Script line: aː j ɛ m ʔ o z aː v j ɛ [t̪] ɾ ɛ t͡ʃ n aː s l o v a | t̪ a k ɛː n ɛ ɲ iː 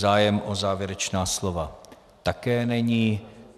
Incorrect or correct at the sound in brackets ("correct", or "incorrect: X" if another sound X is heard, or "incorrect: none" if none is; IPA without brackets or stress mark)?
incorrect: none